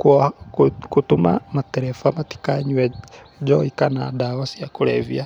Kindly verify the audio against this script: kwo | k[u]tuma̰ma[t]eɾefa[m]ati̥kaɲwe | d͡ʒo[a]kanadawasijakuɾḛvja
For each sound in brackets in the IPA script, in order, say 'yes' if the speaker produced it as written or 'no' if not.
yes, yes, yes, no

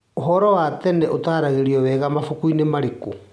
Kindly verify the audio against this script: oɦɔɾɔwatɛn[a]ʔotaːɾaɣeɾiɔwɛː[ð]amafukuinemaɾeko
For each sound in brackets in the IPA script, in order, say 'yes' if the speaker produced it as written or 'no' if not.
no, no

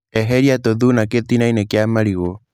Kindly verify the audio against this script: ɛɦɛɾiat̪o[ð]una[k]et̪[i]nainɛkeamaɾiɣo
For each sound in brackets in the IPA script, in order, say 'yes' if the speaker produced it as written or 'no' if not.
yes, yes, yes

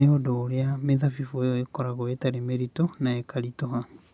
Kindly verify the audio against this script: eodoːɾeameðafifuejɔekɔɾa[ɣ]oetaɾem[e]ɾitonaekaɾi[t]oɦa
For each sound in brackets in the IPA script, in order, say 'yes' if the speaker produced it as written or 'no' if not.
yes, yes, yes

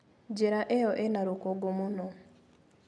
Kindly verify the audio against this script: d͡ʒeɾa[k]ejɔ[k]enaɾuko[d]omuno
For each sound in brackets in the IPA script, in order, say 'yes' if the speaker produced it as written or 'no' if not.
no, no, no

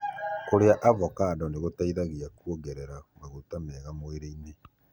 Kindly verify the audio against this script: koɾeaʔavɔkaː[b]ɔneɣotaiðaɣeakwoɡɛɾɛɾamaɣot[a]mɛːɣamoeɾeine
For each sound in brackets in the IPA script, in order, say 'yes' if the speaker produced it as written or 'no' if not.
no, yes

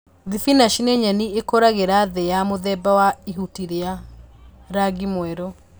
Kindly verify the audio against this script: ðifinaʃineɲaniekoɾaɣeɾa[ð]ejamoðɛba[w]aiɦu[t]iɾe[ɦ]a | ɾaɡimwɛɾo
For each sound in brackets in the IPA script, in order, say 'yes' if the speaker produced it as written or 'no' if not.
yes, yes, yes, no

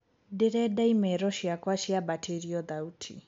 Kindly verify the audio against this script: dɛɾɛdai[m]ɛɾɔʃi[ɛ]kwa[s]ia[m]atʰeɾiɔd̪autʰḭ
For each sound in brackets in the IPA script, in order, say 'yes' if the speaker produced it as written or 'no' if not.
yes, no, no, no

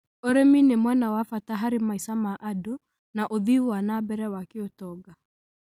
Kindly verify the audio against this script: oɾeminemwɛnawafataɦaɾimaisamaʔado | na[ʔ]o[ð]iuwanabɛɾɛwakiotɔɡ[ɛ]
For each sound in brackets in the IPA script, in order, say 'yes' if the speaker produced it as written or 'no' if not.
yes, yes, no

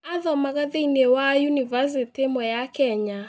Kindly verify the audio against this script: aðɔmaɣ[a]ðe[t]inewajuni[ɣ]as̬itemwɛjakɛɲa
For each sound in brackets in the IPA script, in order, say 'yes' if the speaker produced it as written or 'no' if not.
yes, no, no

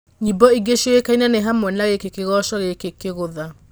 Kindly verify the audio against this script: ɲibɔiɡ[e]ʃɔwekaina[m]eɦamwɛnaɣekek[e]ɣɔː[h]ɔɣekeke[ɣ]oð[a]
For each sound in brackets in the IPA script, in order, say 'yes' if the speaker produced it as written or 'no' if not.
yes, no, yes, no, yes, yes

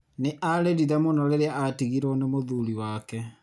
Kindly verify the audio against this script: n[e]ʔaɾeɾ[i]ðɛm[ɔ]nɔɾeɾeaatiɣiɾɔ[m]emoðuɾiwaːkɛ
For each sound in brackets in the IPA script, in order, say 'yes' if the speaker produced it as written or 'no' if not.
yes, yes, no, no

